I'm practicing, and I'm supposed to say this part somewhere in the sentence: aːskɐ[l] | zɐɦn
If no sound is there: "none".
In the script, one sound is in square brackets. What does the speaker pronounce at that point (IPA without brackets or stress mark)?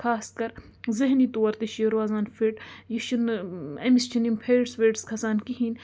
ɾ